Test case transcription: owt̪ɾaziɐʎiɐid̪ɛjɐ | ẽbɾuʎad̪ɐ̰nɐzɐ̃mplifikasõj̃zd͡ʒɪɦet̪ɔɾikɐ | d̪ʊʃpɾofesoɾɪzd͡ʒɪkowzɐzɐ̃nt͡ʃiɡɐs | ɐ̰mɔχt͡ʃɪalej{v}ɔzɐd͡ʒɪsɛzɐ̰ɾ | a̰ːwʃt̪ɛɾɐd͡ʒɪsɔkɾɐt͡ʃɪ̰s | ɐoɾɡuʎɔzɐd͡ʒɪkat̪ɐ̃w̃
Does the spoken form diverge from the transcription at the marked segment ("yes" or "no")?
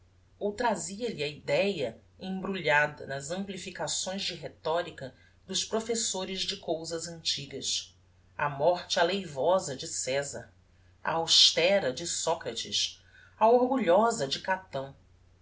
no